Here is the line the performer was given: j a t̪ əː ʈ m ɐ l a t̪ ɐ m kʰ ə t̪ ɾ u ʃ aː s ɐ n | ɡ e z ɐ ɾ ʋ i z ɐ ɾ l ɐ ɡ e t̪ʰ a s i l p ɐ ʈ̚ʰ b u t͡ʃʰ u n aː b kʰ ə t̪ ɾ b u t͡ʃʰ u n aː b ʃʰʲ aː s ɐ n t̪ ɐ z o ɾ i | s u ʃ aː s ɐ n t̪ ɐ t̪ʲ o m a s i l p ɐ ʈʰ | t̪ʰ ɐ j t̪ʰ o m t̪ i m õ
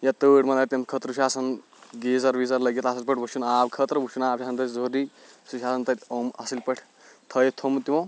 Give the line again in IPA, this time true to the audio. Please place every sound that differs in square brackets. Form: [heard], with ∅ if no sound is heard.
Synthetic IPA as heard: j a t̪ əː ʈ m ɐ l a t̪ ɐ m kʰ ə t̪ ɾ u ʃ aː s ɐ n | ɡ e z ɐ ɾ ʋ i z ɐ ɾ l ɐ ɡ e [t̪] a s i l p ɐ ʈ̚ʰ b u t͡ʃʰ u n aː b kʰ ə t̪ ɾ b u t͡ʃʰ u n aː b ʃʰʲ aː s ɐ n t̪ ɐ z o ɾ i | s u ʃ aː s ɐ n t̪ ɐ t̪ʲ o m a s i l p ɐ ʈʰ | t̪ʰ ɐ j t̪ʰ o m t̪ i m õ